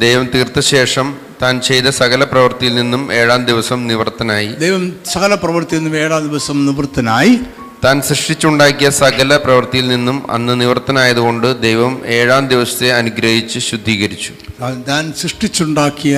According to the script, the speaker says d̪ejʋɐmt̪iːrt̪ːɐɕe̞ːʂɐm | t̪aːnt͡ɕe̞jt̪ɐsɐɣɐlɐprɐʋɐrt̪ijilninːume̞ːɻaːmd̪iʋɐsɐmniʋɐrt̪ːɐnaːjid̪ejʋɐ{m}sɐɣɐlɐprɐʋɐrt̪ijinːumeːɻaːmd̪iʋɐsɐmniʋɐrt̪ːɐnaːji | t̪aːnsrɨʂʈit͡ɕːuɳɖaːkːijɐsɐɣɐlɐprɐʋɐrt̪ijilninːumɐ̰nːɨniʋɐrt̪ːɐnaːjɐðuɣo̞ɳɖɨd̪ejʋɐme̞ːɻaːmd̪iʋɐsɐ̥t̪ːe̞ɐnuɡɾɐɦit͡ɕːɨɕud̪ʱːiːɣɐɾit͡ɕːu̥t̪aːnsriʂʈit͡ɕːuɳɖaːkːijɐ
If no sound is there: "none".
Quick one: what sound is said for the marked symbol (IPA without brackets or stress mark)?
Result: m